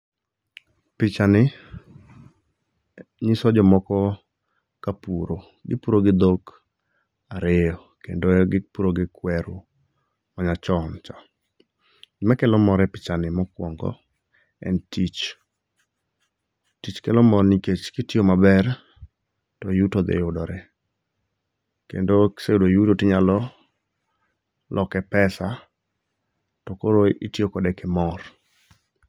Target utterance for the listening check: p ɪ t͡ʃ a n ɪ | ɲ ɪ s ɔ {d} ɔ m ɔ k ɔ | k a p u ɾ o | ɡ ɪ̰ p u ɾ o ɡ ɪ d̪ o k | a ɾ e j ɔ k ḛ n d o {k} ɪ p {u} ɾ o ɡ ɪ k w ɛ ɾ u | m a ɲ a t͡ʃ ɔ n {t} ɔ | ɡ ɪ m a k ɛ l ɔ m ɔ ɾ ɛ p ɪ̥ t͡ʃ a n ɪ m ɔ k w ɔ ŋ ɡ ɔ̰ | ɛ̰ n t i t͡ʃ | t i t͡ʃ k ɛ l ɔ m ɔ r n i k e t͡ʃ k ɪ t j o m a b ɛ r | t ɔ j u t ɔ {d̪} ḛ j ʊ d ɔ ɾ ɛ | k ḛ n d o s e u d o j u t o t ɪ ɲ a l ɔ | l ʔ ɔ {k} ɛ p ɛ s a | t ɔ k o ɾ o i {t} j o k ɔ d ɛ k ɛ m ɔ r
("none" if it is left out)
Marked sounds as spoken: d͡ʒ, ɡ, u, t͡ʃ, d̪, k, t

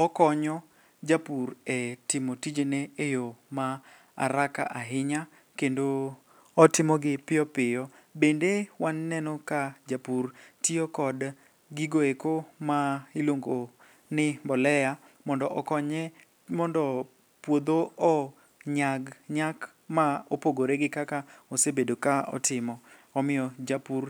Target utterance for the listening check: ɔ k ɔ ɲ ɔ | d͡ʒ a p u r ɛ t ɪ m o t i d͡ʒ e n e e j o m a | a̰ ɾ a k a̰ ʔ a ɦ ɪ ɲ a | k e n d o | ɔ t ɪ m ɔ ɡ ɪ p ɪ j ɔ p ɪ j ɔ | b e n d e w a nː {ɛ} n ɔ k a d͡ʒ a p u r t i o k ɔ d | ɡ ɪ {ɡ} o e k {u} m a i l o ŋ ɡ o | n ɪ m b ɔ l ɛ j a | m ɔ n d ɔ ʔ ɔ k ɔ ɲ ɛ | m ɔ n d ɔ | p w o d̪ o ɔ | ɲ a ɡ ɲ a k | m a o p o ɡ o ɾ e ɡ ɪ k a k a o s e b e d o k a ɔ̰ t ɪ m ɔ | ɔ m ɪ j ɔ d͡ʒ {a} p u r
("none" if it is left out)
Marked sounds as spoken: ɛ, ɡ, o, a

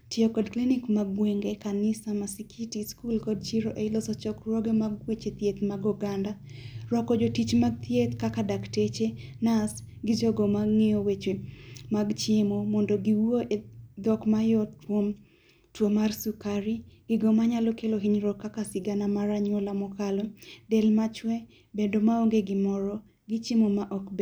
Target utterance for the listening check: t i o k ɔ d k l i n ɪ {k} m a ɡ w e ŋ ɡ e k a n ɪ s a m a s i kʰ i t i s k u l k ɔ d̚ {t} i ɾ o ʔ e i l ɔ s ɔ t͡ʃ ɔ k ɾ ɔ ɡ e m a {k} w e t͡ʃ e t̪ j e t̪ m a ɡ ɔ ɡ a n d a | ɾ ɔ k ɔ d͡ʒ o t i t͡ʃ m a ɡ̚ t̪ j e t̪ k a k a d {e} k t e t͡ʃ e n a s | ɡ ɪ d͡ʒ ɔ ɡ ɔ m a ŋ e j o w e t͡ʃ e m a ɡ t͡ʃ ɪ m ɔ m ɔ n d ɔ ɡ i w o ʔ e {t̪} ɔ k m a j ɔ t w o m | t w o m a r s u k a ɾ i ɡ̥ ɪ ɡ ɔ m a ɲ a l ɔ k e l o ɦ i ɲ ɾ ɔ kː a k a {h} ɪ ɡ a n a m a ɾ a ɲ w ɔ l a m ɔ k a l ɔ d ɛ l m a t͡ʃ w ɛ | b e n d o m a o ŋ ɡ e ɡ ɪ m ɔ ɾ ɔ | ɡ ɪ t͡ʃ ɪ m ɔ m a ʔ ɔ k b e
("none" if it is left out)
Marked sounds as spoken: k, t͡ʃ, ɡ, a, d̪, s

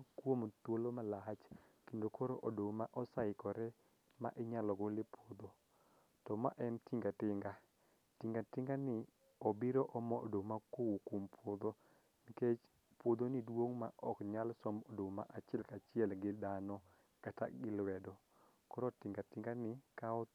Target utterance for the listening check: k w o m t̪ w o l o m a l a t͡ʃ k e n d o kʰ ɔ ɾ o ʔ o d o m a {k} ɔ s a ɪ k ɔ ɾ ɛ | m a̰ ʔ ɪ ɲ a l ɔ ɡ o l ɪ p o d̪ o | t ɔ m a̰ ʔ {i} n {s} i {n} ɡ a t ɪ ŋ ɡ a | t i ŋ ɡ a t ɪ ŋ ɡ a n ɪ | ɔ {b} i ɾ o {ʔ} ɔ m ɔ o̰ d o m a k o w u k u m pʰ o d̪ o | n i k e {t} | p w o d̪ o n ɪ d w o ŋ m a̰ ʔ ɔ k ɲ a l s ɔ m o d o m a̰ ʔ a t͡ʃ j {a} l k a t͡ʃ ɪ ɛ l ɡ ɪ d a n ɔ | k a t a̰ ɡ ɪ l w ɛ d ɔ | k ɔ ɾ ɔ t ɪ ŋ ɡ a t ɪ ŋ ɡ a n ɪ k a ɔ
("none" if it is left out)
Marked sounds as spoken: ʔ, ɛ, t, ŋ, b, ʔ, t͡ʃ, ɛ

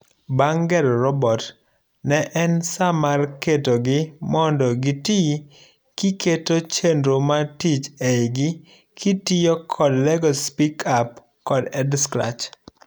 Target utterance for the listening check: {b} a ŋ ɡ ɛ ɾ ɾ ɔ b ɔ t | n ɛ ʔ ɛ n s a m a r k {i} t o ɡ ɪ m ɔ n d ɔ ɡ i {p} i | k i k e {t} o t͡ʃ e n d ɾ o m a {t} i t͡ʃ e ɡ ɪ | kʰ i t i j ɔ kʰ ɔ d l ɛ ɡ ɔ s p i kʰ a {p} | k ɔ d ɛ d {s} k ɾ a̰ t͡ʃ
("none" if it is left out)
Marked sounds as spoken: b, e, t, t, t, p, s

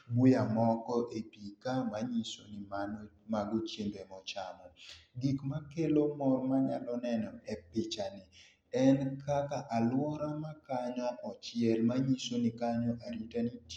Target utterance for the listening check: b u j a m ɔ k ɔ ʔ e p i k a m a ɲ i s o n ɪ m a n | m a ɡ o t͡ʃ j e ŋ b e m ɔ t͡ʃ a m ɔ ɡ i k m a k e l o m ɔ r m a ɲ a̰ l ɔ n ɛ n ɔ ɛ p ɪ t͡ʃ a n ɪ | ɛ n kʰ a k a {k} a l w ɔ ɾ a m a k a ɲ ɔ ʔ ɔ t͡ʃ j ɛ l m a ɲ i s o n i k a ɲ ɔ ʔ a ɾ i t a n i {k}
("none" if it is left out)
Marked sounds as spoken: ʔ, t

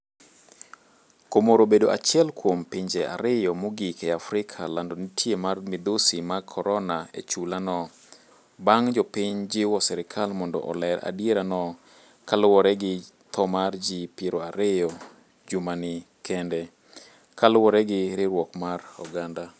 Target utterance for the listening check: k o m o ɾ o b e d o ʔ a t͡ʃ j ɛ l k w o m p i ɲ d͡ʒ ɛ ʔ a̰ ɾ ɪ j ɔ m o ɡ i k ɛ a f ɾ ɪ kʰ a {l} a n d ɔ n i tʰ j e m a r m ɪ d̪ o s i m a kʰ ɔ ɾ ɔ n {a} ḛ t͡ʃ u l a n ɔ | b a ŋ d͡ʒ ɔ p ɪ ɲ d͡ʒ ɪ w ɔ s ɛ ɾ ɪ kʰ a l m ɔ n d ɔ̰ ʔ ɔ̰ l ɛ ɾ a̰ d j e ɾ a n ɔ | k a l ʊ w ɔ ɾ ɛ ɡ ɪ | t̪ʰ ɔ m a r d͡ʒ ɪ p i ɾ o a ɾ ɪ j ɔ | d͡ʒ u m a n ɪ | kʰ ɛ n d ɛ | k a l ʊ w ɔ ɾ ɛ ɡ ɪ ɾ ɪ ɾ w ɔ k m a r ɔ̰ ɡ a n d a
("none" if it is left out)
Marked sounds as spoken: l, a

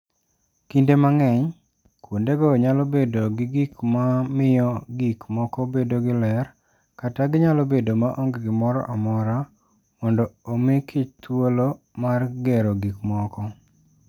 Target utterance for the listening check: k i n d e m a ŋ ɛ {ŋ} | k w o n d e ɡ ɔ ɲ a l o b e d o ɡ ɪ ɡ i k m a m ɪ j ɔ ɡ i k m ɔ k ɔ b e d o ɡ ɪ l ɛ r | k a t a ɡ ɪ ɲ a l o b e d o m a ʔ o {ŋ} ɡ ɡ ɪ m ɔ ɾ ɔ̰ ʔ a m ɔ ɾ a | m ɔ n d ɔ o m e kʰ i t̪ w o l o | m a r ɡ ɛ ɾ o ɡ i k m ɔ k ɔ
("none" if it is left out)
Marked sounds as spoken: ɲ, ŋ

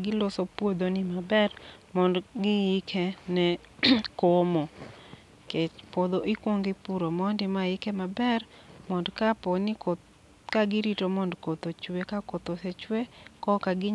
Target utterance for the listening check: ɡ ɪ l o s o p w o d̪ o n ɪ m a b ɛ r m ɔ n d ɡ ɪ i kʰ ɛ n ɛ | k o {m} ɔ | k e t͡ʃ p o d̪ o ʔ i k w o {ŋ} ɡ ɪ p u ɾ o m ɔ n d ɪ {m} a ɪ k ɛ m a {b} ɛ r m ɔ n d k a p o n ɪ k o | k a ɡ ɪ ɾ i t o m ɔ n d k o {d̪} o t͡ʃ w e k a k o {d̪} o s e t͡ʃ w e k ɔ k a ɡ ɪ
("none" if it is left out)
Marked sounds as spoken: m, ŋ, m, b, t̪, t̪

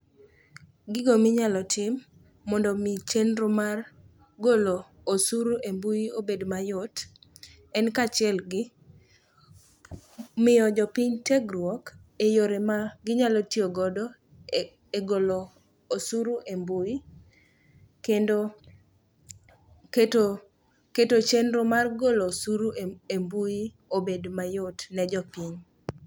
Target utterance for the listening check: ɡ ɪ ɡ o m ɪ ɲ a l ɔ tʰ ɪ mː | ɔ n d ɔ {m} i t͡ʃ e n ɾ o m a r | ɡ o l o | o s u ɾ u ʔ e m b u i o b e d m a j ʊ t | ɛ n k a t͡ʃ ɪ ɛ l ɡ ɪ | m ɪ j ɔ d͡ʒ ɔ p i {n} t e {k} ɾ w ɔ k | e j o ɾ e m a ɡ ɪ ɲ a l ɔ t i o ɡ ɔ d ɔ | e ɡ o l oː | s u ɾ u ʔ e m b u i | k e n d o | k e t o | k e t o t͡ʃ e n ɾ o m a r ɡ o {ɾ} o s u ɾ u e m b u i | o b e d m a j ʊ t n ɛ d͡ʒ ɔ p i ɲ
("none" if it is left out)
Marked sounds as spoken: m, ɲ, ɡ, l

